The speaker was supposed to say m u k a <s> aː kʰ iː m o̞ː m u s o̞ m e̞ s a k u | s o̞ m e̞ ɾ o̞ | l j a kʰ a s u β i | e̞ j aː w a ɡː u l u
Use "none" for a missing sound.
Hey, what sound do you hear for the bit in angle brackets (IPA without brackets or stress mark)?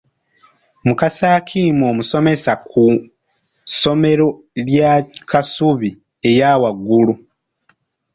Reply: s